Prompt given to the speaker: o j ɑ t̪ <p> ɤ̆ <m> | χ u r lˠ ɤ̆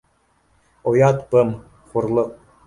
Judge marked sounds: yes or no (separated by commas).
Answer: yes, yes